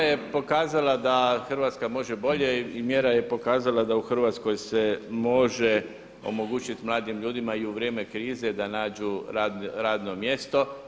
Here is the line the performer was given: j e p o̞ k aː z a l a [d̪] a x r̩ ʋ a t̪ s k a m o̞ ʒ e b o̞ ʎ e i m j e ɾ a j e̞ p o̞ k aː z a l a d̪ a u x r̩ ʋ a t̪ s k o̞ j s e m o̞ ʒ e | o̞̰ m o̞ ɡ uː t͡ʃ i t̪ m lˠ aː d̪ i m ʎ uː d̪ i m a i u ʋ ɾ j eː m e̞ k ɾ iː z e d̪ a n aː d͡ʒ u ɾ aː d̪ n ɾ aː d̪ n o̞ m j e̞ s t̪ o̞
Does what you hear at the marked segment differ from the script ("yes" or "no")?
no